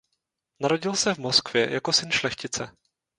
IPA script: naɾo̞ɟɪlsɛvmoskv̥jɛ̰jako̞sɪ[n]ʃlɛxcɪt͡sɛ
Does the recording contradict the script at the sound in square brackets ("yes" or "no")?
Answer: no